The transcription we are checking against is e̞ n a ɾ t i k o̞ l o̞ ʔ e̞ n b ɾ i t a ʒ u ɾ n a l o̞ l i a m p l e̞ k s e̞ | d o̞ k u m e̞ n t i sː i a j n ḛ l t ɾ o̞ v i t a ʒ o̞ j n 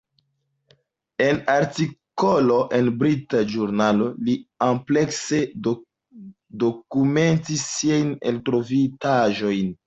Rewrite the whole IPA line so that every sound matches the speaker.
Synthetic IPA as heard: e̞ n a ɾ t i k o̞ l o̞ ʔ e̞ n b ɾ i t a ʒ u ɾ n a l o̞ l i a m p l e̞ k s e̞ | d o̞ k u m e̞ n t i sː i a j n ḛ l t ɾ o̞ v i t a ʒ o̞ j n